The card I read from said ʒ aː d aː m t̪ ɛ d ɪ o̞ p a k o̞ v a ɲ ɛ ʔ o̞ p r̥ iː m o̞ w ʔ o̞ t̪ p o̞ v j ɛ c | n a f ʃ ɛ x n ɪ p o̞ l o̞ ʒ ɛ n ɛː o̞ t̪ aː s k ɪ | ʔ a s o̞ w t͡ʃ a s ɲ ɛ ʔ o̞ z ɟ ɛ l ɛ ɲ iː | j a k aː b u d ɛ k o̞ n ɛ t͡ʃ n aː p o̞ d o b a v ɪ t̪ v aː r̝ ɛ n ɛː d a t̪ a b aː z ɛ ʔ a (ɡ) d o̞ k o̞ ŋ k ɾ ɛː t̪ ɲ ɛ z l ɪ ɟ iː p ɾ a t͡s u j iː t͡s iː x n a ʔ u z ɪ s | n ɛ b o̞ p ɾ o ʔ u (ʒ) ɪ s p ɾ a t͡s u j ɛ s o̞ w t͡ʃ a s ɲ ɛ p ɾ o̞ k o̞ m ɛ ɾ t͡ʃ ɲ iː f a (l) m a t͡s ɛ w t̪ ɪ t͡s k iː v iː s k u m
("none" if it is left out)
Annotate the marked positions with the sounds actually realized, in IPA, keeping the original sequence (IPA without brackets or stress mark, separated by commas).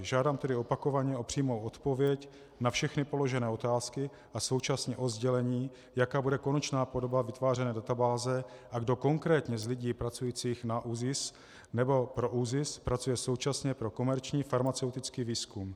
ɡ, z, ɾ